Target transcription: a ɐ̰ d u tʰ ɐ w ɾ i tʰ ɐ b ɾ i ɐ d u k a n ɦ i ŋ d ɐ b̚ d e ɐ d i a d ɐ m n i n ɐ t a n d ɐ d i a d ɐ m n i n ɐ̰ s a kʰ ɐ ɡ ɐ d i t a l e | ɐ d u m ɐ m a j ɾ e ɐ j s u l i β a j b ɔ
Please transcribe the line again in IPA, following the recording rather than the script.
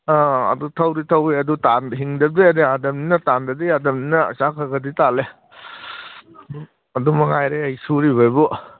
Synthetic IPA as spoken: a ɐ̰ d u tʰ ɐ w ɾ i tʰ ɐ w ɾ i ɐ d u t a n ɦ i ŋ d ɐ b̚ d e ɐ d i a d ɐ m n i n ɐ t a n d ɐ d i a d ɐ m n i n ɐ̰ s a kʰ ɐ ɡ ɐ d i t a l e | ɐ d u m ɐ ŋ a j ɾ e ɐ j s u ɾ i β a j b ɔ